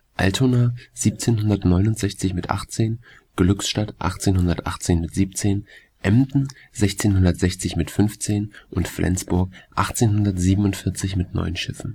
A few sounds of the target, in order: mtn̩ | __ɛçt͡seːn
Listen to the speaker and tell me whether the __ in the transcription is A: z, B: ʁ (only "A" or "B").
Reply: A